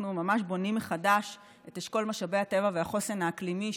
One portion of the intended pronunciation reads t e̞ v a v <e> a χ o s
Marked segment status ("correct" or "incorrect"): correct